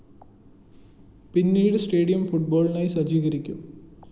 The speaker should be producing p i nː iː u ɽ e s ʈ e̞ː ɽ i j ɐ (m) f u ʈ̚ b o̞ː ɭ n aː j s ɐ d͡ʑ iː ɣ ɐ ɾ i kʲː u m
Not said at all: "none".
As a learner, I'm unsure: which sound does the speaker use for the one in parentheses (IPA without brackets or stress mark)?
m